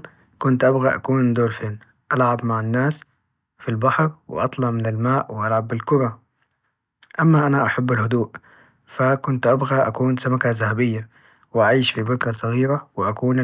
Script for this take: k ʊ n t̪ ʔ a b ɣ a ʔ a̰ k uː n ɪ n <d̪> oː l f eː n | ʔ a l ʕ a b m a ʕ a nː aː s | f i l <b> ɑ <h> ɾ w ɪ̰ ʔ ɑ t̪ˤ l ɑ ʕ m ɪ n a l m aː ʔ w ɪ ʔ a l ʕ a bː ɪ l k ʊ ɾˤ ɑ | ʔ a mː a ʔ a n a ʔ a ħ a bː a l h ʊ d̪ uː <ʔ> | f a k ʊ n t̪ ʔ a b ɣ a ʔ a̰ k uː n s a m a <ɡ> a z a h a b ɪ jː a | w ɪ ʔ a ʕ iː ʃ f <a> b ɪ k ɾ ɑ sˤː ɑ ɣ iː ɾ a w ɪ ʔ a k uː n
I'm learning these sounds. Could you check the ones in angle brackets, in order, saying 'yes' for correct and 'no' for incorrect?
yes, yes, no, yes, no, no

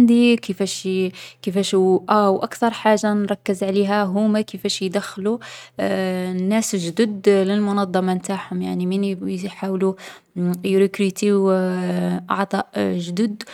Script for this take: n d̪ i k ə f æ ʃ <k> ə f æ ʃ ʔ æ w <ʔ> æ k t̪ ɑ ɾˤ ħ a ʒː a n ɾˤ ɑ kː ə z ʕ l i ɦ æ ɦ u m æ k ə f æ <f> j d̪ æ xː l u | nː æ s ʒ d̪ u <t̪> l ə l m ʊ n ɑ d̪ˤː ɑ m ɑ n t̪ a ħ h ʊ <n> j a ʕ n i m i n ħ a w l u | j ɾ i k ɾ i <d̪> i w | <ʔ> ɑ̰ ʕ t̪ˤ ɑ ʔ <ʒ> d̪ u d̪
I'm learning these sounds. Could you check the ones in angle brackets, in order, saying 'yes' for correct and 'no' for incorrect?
yes, yes, no, no, no, no, yes, yes

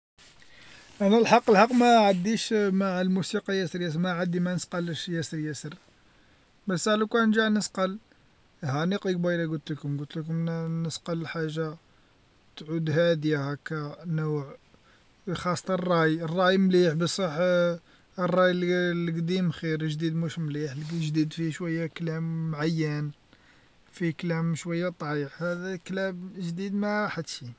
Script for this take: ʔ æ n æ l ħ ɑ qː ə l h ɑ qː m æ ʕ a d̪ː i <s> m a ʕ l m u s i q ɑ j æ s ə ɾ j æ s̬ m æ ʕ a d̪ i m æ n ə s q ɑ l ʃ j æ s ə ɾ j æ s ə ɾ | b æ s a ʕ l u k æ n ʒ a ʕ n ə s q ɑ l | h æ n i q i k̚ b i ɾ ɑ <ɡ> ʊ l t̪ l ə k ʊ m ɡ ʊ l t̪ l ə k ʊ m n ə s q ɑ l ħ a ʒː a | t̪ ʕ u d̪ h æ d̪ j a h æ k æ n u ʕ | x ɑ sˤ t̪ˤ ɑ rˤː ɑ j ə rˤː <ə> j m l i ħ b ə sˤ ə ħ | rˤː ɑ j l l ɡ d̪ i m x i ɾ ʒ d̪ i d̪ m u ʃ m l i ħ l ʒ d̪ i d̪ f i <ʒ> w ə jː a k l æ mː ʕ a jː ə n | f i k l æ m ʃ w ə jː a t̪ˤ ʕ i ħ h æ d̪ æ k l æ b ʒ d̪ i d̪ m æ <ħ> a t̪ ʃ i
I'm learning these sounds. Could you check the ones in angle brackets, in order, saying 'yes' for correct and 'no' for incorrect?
no, yes, no, no, yes

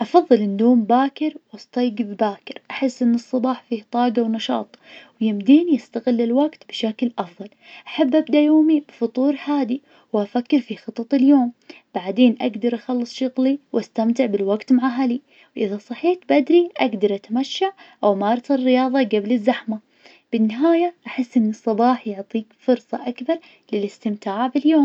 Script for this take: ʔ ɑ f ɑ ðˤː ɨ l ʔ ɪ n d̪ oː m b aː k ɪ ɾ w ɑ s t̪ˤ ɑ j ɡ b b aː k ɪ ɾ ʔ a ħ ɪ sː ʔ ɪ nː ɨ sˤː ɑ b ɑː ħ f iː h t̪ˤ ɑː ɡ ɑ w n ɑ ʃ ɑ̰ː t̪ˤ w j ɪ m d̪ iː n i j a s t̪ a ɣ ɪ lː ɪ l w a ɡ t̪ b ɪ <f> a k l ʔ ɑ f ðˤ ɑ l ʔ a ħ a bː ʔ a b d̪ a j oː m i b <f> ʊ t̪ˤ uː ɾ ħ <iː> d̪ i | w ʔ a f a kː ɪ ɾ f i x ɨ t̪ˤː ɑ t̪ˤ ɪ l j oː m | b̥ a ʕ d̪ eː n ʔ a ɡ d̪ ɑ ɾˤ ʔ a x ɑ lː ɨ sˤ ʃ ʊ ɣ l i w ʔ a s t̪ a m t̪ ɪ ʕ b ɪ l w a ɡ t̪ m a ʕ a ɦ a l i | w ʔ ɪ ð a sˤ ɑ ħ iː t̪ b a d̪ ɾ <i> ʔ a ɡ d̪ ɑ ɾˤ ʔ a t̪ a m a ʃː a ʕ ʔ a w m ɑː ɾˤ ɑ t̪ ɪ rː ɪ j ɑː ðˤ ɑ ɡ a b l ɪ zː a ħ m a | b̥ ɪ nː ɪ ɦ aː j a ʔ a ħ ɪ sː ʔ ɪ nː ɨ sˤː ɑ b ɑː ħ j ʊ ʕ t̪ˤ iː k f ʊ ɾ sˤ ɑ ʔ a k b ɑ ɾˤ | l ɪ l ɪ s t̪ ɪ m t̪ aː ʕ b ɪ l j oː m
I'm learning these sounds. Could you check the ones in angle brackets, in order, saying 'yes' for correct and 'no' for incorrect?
no, yes, no, yes

